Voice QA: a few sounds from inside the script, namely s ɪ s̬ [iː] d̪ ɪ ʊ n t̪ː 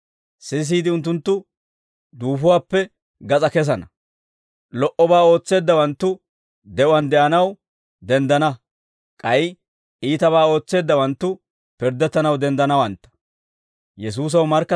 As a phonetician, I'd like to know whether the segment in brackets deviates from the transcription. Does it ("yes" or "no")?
no